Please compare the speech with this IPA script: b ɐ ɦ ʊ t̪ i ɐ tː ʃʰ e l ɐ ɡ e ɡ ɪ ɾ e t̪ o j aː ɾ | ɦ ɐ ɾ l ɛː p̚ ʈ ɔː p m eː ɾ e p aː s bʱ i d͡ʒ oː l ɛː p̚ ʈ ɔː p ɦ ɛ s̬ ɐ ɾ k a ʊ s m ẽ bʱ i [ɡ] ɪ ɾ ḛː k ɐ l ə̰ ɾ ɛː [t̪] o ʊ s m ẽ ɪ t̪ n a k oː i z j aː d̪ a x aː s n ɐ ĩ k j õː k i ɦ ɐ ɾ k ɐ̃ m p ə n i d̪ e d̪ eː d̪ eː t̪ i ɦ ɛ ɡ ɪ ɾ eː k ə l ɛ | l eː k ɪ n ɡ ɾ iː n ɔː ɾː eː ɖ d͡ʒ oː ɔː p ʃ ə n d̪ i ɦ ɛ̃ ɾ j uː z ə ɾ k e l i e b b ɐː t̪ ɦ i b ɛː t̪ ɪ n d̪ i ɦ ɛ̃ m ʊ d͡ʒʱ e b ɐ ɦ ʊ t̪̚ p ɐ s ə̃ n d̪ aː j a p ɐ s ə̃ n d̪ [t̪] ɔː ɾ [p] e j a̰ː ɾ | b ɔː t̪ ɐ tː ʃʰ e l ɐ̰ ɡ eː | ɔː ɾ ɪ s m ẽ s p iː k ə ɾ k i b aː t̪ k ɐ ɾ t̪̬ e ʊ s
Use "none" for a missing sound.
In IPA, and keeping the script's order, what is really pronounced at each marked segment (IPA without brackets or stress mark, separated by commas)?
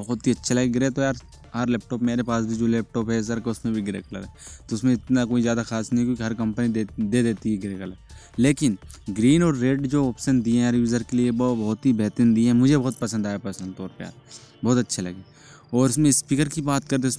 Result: ɡ, t̪, t̪, p